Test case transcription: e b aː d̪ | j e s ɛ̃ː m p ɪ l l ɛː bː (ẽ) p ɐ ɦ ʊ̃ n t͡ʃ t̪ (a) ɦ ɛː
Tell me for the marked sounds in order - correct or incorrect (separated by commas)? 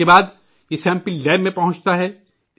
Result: correct, correct